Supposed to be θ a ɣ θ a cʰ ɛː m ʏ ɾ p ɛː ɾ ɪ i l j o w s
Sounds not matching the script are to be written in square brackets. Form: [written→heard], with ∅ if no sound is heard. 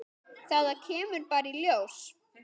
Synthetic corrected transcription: θ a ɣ [θ→ð] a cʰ ɛː m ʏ ɾ p [ɛː→aː] ɾ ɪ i l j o w s